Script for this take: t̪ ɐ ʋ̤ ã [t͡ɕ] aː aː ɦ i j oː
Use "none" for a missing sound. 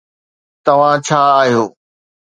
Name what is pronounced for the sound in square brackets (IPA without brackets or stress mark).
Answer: t͡ɕʰ